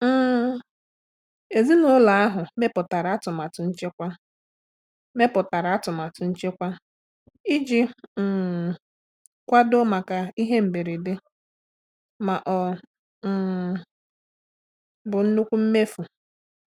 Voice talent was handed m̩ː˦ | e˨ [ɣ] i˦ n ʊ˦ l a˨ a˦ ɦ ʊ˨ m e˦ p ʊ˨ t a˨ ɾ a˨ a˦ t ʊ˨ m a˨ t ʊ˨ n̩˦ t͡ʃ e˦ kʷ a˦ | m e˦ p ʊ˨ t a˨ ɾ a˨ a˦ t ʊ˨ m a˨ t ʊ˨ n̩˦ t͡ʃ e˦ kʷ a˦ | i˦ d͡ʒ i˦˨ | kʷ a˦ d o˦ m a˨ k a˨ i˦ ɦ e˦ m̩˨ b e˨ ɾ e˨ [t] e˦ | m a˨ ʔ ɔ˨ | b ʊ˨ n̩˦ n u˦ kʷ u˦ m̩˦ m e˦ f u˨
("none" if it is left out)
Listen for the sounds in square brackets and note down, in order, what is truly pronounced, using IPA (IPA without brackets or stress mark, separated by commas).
z, d